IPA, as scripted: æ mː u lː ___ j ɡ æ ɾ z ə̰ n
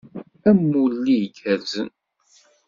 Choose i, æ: i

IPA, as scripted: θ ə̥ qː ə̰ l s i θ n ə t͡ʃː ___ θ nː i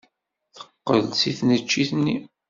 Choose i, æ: i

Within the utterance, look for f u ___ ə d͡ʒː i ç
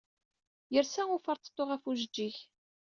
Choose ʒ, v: ʒ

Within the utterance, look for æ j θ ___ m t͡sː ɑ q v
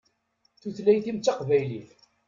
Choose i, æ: i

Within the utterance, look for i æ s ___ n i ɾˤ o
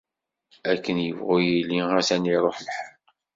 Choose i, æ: æ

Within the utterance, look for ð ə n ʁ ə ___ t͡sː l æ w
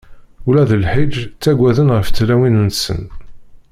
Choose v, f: f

